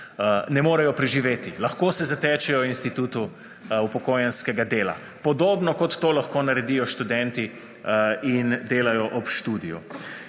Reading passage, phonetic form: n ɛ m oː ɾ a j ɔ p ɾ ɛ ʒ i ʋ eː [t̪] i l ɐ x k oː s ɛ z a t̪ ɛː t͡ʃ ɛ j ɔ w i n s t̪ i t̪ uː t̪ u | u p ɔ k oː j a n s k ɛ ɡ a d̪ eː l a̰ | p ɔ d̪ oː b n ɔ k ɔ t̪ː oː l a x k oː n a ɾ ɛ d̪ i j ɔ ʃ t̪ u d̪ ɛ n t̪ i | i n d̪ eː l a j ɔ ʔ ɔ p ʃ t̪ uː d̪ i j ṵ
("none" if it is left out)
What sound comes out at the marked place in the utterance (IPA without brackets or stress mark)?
t̪